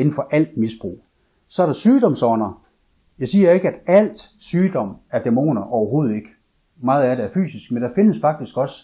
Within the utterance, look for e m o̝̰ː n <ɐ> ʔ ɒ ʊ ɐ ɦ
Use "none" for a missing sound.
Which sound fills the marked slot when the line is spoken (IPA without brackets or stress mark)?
ɐ